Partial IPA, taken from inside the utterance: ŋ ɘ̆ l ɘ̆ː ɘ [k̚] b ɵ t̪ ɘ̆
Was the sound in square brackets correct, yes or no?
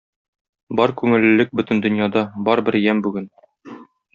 yes